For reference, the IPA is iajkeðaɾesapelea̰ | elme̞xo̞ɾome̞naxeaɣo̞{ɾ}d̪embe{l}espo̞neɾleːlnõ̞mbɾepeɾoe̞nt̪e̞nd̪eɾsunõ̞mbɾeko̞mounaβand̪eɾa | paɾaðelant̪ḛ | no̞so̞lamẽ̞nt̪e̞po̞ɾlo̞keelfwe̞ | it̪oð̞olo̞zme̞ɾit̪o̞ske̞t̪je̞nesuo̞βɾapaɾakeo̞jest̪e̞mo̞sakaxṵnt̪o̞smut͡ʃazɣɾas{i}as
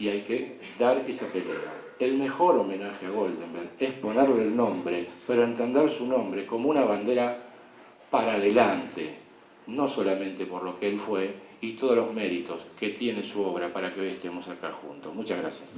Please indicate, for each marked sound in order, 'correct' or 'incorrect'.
incorrect: l, incorrect: ɾ, incorrect: j

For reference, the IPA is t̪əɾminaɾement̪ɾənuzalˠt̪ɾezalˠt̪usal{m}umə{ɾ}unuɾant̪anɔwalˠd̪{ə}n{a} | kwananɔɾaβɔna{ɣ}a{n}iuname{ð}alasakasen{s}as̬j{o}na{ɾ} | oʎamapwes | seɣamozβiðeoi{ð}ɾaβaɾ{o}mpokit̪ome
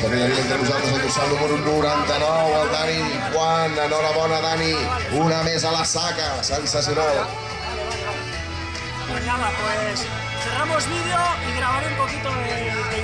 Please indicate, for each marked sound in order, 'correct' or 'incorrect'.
incorrect: n, correct, incorrect: a, incorrect: i, incorrect: ð, correct, incorrect: z, correct, incorrect: u, incorrect: l, incorrect: ɣ, incorrect: u

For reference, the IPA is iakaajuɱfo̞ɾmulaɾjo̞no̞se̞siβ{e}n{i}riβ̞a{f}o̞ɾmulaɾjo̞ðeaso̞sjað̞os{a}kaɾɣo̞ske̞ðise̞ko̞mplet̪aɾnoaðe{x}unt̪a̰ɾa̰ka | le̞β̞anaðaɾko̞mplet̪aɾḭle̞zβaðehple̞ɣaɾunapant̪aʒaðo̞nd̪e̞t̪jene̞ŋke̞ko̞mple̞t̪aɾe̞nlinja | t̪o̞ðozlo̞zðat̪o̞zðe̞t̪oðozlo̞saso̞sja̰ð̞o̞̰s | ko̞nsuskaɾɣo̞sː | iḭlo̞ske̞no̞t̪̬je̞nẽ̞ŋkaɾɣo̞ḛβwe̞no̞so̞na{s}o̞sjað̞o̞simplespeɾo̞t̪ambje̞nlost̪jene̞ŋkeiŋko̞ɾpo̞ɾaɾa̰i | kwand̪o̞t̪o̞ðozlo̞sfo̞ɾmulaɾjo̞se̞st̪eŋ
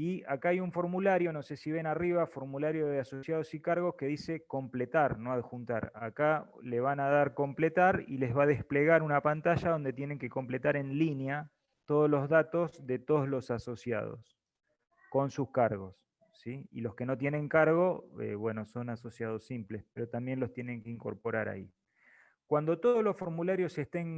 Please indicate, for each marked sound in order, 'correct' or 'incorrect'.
correct, incorrect: a, correct, incorrect: i, correct, correct

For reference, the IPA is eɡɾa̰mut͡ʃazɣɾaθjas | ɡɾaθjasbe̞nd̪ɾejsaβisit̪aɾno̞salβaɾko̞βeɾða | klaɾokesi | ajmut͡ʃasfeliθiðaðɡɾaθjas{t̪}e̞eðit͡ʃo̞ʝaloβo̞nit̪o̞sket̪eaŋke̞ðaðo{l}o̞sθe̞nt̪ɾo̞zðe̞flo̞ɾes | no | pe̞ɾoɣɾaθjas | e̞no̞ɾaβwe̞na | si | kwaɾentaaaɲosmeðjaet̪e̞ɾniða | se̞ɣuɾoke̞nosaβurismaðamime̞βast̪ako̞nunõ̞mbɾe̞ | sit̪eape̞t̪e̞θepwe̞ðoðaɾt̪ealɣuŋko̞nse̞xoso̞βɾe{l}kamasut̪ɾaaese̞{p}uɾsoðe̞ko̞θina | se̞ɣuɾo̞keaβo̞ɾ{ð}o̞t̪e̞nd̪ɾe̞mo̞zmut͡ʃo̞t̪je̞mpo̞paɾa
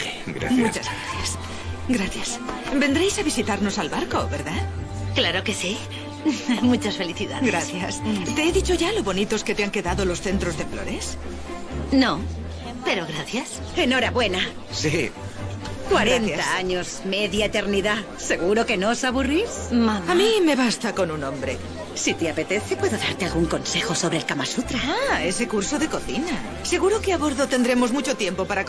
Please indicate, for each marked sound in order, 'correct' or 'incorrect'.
correct, correct, correct, incorrect: k, correct

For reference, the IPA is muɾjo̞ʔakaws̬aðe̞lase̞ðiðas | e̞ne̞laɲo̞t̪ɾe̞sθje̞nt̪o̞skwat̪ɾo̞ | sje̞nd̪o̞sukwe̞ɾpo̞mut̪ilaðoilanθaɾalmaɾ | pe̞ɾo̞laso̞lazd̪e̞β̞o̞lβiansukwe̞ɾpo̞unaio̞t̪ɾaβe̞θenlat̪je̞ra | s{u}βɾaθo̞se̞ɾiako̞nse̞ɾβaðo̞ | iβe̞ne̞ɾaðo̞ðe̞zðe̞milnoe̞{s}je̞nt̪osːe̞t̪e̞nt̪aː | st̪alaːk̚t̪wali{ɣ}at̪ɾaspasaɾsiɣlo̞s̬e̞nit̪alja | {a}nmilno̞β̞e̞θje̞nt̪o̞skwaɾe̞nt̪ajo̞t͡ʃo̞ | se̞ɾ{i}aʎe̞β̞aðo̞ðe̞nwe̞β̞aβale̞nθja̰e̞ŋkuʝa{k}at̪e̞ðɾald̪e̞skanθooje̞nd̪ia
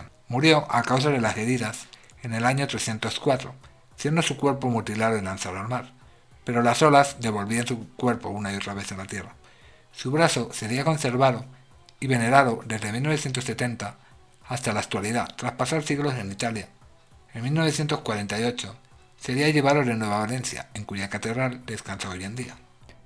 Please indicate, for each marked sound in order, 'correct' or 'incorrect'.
correct, incorrect: θ, incorrect: ð, incorrect: e, correct, correct

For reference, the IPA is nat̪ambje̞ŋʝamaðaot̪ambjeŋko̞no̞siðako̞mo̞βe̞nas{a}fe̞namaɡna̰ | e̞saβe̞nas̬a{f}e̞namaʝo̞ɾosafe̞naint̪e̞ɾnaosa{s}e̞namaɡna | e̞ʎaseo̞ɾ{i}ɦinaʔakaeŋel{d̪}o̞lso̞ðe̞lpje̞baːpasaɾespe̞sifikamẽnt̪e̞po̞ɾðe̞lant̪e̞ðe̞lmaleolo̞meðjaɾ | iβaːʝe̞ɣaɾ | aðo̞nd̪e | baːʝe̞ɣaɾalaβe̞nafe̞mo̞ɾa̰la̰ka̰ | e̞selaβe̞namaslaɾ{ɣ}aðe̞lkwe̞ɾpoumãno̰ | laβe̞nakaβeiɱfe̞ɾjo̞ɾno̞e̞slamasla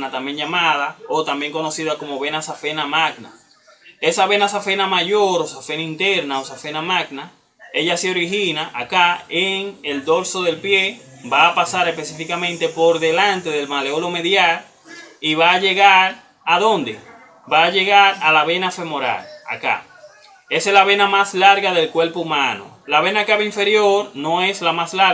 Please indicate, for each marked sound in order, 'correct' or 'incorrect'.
correct, correct, incorrect: f, correct, correct, correct

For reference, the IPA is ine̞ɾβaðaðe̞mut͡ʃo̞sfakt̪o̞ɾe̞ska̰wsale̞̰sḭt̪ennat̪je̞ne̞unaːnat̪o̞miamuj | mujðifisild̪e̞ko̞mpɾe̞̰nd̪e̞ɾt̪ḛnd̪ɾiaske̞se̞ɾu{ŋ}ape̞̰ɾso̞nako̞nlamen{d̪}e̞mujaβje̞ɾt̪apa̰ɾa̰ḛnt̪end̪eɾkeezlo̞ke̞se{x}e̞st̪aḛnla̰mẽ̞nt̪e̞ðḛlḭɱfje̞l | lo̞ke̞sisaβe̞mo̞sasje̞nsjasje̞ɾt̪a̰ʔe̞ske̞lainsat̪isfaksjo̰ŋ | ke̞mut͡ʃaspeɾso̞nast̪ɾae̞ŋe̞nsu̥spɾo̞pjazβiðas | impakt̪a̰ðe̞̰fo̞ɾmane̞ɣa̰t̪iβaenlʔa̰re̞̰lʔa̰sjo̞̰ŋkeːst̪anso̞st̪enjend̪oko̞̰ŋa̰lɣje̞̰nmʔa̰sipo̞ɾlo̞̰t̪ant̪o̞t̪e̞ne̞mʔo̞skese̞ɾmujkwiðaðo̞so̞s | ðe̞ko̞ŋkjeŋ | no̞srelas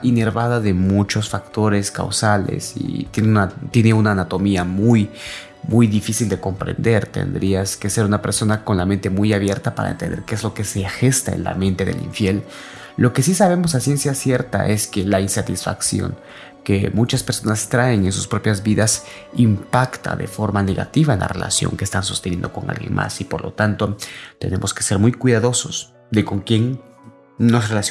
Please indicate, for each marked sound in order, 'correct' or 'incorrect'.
incorrect: n, incorrect: t̪, correct

